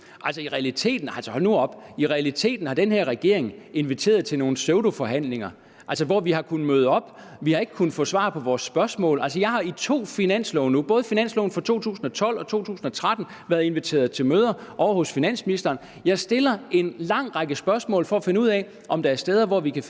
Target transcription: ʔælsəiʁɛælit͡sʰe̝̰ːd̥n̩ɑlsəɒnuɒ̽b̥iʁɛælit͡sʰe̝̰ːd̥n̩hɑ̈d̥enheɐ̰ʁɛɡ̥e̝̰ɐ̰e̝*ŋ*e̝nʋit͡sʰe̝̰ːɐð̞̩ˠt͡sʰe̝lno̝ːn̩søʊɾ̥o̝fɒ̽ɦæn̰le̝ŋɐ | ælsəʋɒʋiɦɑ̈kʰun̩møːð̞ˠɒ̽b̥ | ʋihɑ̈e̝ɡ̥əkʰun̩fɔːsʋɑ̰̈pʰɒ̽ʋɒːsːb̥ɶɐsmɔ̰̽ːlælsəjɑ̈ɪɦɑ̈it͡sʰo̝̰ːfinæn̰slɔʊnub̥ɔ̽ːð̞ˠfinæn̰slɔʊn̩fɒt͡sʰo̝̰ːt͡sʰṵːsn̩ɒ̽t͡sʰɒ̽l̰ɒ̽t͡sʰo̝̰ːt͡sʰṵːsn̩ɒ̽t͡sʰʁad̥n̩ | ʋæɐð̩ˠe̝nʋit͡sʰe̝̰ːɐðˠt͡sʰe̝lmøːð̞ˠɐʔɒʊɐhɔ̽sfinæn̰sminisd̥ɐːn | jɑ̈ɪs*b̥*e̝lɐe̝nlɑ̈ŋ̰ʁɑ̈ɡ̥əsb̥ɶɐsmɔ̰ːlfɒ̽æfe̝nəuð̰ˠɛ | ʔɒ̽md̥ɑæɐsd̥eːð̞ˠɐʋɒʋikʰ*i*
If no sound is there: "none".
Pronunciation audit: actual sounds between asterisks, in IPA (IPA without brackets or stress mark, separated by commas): ŋ, d̥, æ